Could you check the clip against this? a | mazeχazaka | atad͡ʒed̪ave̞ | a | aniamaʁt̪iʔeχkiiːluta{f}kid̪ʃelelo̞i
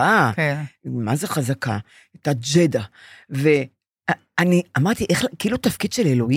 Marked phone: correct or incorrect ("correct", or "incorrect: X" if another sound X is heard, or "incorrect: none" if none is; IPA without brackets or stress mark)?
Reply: correct